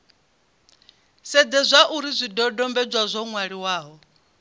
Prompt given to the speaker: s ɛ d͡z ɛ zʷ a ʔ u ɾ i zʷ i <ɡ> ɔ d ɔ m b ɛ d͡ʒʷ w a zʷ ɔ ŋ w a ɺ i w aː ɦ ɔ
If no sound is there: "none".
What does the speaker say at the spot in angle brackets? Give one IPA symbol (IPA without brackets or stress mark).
d